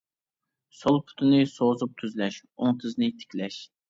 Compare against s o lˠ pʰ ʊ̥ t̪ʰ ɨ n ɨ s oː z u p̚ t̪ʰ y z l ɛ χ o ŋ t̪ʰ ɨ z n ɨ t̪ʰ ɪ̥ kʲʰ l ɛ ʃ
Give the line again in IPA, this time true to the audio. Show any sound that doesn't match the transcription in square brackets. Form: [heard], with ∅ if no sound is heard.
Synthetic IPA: s o lˠ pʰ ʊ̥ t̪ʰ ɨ n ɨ s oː z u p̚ t̪ʰ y z l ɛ [ʃ] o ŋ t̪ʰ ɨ z n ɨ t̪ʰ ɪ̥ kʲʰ l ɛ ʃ